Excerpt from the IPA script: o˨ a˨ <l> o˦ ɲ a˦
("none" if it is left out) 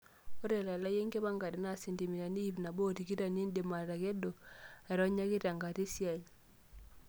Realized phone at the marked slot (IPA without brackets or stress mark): ɾ